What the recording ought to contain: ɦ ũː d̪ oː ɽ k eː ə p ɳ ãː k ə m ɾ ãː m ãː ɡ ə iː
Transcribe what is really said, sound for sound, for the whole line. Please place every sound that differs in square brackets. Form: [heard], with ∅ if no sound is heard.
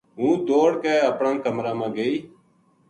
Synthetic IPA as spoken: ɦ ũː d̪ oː ɽ k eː ə p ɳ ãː k ə m ɾ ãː m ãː ɡ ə iː